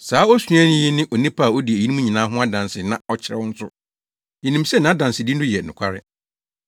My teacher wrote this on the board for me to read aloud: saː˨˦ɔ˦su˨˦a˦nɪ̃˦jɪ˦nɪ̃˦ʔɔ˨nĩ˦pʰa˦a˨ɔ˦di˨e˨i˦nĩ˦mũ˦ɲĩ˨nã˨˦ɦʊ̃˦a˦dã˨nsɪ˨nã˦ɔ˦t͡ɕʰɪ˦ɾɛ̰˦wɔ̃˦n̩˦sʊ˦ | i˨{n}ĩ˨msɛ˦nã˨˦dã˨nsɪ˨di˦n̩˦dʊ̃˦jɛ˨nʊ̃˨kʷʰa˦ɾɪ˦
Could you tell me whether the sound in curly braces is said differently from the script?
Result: no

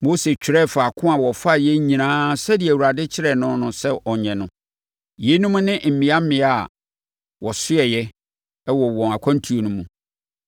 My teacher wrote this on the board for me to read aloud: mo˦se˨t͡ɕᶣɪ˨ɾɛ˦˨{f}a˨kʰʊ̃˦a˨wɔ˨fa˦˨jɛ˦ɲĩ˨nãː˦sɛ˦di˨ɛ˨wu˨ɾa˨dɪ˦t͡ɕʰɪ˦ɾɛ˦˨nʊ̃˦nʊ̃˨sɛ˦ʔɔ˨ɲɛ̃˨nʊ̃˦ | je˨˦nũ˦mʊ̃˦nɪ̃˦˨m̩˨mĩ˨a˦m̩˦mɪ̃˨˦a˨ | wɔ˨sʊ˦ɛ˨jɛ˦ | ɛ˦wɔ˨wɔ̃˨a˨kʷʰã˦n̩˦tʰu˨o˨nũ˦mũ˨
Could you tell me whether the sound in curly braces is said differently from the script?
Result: no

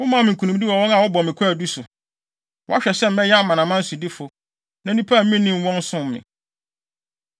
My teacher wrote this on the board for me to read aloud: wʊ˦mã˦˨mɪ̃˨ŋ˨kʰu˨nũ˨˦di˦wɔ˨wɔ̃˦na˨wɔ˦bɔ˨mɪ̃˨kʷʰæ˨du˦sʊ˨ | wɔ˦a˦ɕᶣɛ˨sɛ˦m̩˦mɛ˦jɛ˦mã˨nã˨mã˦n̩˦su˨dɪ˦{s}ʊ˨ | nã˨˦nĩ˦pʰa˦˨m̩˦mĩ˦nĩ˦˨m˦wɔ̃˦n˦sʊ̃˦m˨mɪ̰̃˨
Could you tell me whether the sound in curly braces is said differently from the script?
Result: yes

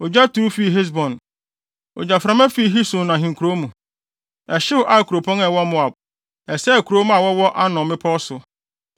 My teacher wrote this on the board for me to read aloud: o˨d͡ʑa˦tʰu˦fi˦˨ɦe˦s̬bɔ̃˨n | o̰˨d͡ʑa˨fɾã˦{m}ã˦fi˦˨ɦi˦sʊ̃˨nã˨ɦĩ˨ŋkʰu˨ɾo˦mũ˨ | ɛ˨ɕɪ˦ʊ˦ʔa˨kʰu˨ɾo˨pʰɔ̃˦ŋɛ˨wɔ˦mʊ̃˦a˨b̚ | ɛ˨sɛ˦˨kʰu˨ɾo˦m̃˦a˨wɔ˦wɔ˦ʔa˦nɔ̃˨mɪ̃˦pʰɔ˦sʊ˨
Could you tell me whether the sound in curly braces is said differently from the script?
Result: no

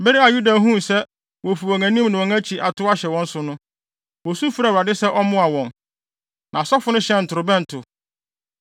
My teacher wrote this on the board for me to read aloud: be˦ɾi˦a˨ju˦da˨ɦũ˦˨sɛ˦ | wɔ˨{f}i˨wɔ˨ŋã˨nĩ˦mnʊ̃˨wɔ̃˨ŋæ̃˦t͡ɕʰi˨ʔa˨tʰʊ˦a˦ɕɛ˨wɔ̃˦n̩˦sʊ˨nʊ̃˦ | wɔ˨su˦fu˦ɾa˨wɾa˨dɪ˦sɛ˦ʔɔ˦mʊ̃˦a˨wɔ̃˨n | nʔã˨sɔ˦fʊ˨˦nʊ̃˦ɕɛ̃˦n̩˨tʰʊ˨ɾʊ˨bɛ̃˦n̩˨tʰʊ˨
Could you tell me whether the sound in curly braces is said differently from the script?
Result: no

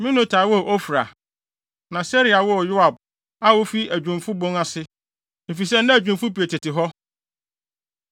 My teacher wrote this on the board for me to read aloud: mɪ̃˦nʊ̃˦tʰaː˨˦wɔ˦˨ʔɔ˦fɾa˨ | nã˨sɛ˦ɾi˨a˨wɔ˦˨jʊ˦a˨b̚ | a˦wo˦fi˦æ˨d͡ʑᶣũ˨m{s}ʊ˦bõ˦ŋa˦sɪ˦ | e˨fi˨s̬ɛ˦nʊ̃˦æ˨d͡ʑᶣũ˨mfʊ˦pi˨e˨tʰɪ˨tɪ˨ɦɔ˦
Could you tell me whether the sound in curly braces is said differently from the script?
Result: yes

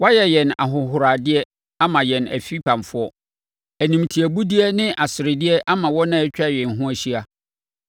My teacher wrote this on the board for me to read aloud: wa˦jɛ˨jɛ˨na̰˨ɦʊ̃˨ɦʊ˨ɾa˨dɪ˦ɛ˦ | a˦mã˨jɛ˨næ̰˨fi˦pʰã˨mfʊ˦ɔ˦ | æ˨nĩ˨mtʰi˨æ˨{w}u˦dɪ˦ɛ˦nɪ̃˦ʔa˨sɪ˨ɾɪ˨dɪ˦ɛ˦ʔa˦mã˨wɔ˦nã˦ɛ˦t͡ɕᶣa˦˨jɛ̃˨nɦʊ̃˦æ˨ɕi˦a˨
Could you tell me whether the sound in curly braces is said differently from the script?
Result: yes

